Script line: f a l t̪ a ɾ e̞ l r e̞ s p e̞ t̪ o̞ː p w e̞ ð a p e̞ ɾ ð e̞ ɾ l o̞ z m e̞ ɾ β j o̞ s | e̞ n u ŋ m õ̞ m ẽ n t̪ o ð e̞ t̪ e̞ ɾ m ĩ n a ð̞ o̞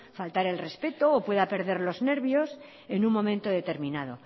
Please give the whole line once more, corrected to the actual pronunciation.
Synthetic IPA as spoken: f a l t̪ a ɾ e̞ l r e̞ s p e̞ t̪ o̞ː p w e̞ ð a p e̞ ɾ ð e̞ ɾ l o̞ z n e̞ ɾ β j o̞ s | e̞ n u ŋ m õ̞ m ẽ n t̪ o ð e̞ t̪ e̞ ɾ m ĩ n a ð̞ o̞